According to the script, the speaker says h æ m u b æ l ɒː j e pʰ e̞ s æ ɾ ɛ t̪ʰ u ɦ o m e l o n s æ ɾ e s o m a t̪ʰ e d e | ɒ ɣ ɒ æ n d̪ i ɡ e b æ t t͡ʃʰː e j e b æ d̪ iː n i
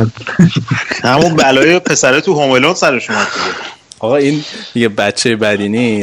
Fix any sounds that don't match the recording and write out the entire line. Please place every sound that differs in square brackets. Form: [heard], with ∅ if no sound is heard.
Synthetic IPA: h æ m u b æ l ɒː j e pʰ e̞ s æ ɾ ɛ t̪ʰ u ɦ o m e l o n s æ ɾ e [ʃ] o m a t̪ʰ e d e | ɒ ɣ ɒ [i] n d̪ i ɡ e b æ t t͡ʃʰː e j e b æ d̪ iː n i